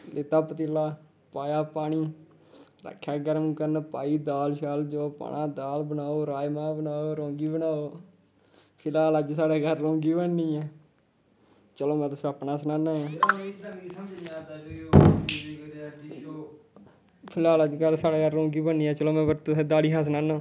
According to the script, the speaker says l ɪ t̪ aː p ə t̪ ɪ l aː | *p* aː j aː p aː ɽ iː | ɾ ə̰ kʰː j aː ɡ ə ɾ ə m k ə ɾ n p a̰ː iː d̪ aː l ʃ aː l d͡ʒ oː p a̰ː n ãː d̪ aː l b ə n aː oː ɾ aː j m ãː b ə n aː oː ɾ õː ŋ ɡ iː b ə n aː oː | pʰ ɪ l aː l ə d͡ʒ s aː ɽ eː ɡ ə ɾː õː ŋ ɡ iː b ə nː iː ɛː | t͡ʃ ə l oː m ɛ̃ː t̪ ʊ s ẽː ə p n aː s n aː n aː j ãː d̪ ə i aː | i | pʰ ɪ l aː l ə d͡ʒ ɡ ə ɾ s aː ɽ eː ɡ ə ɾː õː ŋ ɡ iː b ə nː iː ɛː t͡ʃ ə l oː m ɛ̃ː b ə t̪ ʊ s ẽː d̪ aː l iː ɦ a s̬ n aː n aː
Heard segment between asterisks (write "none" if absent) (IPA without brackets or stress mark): p